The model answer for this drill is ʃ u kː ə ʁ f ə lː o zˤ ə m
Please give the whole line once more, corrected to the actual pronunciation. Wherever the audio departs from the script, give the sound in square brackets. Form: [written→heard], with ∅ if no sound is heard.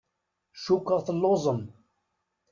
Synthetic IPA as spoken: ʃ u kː ə ʁ [f→θ] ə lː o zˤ ə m